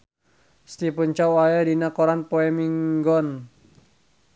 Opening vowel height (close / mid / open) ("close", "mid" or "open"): close